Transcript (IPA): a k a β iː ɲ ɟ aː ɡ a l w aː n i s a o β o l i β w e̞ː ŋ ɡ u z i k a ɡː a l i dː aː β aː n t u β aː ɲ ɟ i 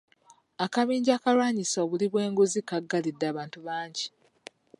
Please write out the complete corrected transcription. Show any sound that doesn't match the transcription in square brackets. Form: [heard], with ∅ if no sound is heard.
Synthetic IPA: a k a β iː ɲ ɟ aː [k] a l w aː [ɲ] i s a o β [u] l i β w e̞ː ŋ ɡ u z i k a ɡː a l i dː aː β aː n t u β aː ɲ ɟ i